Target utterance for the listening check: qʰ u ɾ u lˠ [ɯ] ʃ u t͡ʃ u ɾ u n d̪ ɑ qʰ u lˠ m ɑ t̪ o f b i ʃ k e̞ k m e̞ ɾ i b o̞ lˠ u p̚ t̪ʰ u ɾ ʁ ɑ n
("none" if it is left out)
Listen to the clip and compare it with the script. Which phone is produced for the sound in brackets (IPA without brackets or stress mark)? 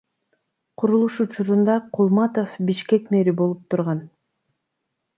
u